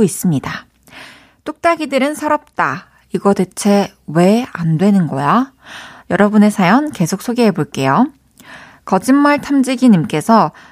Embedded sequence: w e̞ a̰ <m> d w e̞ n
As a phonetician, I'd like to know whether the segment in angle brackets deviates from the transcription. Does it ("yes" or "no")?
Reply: yes